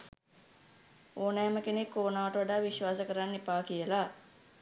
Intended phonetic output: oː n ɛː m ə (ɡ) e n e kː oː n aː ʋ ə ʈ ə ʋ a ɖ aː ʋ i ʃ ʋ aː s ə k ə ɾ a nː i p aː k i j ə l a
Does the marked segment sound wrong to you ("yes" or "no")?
yes